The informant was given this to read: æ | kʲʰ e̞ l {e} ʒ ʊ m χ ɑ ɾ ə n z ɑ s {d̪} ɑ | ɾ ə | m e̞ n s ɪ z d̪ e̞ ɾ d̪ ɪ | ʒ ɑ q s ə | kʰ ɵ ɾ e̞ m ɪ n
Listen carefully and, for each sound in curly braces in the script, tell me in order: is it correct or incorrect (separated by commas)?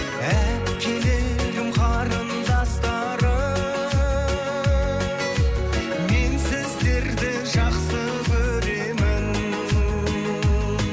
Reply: correct, incorrect